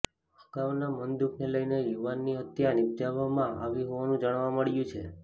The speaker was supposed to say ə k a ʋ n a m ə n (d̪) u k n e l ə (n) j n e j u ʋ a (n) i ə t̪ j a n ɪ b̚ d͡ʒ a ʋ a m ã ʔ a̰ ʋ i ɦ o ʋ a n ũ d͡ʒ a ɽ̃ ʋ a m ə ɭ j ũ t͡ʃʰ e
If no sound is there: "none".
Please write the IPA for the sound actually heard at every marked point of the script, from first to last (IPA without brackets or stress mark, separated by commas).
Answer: d̪, none, nː